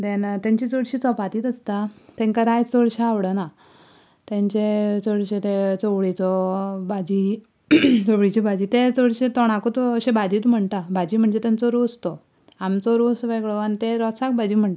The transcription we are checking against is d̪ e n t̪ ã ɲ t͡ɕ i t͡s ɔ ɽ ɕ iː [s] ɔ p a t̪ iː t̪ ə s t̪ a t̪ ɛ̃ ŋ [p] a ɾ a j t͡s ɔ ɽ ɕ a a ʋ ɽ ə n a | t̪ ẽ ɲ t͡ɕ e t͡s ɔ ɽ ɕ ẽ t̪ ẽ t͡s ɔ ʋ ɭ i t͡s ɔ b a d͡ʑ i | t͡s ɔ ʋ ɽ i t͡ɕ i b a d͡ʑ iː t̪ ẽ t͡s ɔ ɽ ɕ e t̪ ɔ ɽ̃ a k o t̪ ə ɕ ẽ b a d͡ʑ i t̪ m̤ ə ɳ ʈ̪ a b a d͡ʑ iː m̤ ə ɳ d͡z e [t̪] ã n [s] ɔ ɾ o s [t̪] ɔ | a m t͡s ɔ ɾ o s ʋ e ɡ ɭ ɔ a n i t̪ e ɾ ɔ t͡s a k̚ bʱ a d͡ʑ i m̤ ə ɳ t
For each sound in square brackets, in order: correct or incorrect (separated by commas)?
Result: incorrect, incorrect, correct, incorrect, correct